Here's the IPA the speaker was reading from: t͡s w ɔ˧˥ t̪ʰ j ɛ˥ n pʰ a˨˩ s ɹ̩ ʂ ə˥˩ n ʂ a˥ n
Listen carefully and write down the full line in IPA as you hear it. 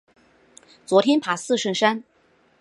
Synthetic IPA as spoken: t͡s w ɔ˧˥ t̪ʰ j ɛ˥ n pʰ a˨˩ s ɹ̩ ʂ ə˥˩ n ʂ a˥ n

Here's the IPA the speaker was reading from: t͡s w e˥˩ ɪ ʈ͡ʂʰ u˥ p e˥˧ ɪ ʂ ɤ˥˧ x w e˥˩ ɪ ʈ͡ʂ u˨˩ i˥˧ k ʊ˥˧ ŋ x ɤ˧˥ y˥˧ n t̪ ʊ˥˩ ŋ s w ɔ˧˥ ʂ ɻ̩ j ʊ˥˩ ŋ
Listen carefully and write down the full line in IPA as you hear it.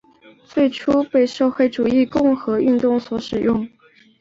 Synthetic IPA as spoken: t͡s w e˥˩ ɪ ʈ͡ʂʰ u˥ p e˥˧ ɪ ʂ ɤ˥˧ x w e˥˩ ɪ ʈ͡ʂ u˨˩ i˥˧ k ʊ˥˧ ŋ x ɤ˧˥ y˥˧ n t̪ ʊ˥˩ ŋ s w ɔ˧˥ ʂ ɻ̩ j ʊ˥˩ ŋ

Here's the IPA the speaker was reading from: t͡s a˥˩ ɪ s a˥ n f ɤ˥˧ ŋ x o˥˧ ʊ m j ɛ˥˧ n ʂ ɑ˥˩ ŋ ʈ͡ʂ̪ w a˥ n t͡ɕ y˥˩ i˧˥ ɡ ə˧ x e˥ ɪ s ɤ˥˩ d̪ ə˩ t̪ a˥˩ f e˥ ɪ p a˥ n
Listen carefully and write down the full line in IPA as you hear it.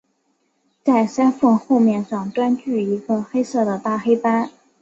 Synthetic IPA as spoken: t͡s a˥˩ ɪ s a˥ n f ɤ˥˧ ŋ x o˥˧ ʊ m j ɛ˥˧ n ʂ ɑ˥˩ ŋ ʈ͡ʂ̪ w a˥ n t͡ɕ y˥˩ i˧˥ ɡ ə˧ x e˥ ɪ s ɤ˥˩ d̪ ə˩ t̪ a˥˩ x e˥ ɪ p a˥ n

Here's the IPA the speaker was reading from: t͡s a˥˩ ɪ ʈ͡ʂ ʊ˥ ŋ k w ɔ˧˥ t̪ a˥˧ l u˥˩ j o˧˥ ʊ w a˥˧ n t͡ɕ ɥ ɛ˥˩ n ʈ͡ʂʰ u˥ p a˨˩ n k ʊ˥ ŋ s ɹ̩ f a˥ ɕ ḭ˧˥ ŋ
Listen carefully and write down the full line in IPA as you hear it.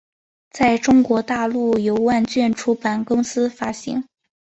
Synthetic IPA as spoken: t͡s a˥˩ ɪ ʈ͡ʂ ʊ˥ ŋ k w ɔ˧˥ t̪ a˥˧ l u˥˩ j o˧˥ ʊ w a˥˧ n t͡ɕ ɥ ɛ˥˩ n ʈ͡ʂʰ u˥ p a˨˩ n k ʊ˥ ŋ s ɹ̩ f a˥ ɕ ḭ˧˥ ŋ

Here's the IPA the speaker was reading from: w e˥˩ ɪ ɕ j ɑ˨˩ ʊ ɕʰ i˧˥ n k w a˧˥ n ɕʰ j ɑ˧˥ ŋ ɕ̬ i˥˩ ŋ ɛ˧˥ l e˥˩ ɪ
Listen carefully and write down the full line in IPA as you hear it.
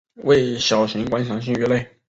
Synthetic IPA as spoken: w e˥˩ ɪ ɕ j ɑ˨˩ ʊ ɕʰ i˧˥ ŋ k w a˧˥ n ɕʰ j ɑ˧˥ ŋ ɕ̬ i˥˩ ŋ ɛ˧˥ l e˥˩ ɪ

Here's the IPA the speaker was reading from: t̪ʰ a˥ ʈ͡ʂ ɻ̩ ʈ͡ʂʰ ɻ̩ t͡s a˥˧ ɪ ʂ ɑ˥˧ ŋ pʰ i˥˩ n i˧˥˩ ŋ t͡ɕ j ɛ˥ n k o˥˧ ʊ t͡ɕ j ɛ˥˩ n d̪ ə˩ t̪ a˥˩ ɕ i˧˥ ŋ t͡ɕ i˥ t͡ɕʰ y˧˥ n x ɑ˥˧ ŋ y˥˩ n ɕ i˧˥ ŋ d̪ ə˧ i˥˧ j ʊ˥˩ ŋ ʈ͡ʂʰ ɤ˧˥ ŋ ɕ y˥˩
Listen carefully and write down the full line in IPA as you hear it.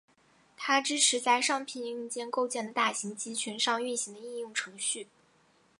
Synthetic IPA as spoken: t̪ʰ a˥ ʈ͡ʂ ɻ̩ ʈ͡ʂʰ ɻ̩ t͡s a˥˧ ɪ ʂ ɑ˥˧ ŋ pʰ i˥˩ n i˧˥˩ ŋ t͡ɕ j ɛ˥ n k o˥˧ ʊ t͡ɕ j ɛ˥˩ n d̪ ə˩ t̪ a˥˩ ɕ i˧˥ ŋ t͡ɕ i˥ t͡ɕʰ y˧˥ n ʂ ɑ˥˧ ŋ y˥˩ n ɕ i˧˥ ŋ d̪ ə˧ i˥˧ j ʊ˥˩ ŋ ʈ͡ʂʰ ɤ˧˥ ŋ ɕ y˥˩

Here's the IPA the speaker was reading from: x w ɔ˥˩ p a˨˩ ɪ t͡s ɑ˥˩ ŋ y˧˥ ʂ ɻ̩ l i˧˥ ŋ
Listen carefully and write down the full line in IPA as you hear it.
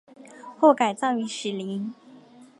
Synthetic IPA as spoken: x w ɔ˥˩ k a˨˩ ɪ t͡s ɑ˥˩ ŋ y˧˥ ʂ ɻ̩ l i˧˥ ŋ

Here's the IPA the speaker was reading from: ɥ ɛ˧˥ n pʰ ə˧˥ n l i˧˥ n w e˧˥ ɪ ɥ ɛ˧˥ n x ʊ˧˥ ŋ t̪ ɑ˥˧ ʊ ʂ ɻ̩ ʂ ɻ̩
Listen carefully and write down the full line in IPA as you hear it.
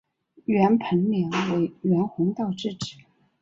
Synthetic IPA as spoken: ɥ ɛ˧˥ n pʰ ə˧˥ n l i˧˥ ŋ w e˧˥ ɪ ɥ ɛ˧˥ n x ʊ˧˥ ŋ t̪ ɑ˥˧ ʊ ʈ͡ʂ ɻ̩ ʈ͡ʂ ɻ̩

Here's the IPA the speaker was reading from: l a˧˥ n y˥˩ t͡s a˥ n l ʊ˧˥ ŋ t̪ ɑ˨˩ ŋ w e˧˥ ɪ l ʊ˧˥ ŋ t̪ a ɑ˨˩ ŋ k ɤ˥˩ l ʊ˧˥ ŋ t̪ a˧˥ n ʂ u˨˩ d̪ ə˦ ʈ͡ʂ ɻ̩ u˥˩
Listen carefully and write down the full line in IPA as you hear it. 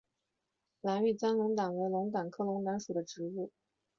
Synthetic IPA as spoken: l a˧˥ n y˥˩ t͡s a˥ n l ʊ˧˥ ŋ t̪ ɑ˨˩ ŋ w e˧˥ ɪ l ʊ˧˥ ŋ t̪ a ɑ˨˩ ŋ kʰ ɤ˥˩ l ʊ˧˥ ŋ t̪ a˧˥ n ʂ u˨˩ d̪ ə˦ ʈ͡ʂ ɻ̩ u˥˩

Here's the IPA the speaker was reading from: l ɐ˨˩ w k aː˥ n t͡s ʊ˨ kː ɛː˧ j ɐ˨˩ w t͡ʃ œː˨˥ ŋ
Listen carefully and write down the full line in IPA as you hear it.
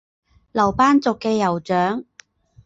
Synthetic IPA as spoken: l ɐ˨˩ w p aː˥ n t͡s ʊ˨ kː ɛː˧ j ɐ˨˩ w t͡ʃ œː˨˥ ŋ

